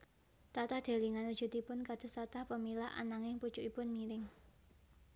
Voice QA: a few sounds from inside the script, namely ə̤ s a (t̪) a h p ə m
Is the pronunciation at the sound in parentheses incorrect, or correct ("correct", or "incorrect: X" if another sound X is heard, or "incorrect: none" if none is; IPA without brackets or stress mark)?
correct